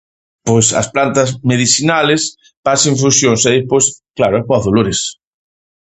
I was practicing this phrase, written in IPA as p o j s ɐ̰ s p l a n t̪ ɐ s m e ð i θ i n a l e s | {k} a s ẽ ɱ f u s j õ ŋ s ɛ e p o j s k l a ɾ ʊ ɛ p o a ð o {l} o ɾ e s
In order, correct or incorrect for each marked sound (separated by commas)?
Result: incorrect, correct